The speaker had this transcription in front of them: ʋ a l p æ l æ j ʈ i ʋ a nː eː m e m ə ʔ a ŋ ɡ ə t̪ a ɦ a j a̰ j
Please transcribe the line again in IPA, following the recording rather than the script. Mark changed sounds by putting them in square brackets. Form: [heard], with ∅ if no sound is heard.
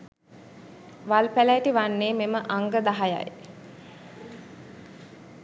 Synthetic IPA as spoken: ʋ a l p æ l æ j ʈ i ʋ a nː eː m e m ə ʔ a ŋ ɡ ə [d̪] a ɦ a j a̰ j